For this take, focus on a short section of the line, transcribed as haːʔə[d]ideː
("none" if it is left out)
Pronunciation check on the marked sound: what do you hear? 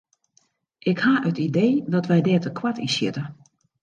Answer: t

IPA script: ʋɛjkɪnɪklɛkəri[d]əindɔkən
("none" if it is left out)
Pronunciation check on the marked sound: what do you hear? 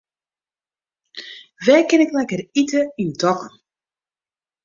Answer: t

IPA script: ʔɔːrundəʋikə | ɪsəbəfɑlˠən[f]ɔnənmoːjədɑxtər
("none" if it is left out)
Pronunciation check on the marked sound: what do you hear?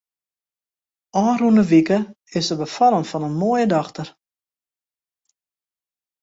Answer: f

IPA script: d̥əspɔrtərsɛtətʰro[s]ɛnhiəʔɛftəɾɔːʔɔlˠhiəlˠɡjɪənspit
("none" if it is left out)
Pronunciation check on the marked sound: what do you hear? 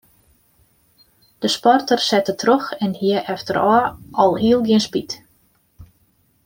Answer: x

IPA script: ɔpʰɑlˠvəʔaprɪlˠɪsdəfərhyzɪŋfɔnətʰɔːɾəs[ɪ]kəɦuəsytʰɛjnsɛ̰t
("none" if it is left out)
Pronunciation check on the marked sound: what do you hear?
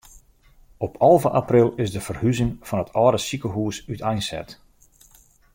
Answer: i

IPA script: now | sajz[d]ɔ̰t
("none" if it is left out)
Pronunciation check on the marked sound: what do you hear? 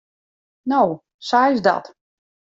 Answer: d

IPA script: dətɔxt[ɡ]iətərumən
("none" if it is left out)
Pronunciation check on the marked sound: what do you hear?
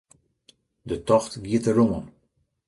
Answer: ɡ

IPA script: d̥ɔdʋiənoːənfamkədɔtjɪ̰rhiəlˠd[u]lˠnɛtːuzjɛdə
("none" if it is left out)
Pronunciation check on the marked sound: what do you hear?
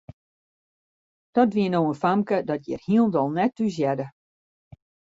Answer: ɔ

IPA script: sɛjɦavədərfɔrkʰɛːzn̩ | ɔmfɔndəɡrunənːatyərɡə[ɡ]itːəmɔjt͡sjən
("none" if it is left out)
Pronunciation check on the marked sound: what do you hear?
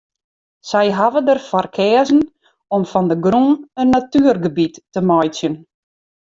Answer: b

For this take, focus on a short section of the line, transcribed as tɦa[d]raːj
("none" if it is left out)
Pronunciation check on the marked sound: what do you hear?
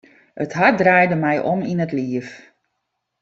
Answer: d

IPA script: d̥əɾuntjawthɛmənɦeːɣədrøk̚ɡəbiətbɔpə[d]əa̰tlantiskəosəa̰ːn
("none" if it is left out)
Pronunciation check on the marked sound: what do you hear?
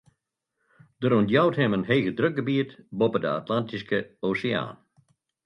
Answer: d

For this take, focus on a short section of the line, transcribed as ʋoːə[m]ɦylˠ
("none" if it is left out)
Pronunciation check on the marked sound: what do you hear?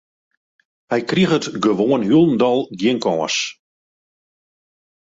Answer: n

